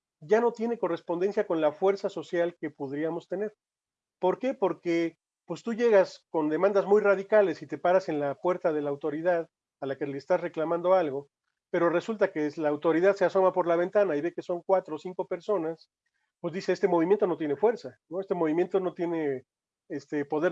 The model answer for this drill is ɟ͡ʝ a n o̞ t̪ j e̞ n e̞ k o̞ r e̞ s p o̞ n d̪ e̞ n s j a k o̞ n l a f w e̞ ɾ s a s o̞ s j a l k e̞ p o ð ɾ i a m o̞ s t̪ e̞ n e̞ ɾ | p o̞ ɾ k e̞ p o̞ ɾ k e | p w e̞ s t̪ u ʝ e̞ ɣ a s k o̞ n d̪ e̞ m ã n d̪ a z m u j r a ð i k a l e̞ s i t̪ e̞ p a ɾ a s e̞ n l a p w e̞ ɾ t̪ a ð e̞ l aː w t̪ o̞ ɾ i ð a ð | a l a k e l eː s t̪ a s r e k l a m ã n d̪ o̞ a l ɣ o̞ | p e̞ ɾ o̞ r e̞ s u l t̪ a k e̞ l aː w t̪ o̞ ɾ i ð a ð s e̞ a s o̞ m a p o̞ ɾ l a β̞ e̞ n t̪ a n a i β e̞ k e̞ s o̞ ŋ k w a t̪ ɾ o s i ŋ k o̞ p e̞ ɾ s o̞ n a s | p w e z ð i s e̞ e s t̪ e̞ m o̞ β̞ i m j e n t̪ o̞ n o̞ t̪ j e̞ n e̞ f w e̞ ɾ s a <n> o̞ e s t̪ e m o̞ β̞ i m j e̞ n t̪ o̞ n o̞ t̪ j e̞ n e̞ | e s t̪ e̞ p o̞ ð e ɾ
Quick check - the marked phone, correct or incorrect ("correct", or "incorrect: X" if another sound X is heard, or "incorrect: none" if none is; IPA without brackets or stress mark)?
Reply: correct